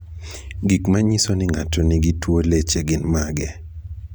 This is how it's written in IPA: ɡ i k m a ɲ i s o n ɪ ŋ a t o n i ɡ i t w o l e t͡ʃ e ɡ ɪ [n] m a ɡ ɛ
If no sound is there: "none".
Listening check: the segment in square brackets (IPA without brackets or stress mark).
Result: n